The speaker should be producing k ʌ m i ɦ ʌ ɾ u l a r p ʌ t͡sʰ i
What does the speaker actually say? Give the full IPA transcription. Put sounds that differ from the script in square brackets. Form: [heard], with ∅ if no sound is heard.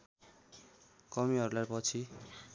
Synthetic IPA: k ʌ m i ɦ ʌ ɾ u l a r p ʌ t͡sʰ i